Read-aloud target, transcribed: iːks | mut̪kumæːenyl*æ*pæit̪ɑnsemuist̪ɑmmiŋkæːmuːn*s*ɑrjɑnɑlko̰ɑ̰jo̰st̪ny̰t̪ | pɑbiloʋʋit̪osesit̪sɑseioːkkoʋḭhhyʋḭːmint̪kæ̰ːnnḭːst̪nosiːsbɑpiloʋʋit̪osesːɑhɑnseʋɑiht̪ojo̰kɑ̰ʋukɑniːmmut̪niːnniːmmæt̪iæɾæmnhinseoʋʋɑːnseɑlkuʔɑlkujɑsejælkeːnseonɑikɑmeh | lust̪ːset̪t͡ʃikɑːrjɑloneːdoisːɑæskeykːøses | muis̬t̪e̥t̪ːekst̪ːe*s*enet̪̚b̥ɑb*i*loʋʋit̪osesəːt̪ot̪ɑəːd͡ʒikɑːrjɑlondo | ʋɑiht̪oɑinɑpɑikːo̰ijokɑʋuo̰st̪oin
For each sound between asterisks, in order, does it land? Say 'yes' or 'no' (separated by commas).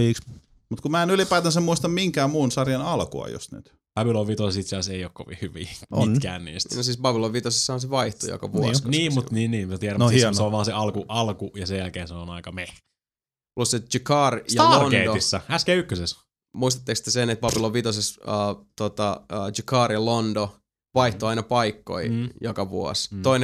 no, yes, yes, yes